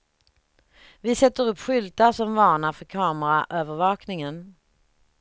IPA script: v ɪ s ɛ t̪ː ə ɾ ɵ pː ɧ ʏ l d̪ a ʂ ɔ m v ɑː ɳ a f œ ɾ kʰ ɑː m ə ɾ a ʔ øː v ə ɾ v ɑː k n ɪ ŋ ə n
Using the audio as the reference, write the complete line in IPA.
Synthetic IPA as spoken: v ɪ s ɛ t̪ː ə ɾ ɵ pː ɧ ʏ l t̪ a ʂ ɔ m v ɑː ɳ a f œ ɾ kʰ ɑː m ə ɾ a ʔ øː v ə ɾ v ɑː k n ɪ ŋ ə n